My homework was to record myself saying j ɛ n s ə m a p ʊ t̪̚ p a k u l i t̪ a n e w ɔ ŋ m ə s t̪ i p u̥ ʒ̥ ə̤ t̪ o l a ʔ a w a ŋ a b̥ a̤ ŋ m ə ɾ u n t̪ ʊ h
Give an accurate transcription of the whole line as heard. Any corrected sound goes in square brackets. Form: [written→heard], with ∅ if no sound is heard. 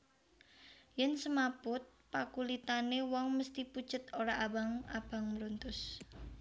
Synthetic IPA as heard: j ɛ n s ə m a p ʊ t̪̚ p a k u l i t̪ a n e w ɔ ŋ m ə s t̪ i p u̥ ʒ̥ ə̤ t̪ o [l→ɾ] a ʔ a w a ŋ a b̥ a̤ ŋ m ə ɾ u n t̪ ʊ [h→s]